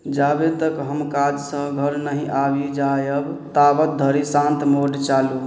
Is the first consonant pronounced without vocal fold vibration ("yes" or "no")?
no